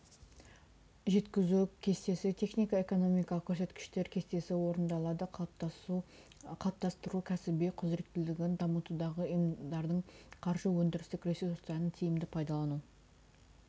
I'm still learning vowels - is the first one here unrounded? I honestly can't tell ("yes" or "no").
yes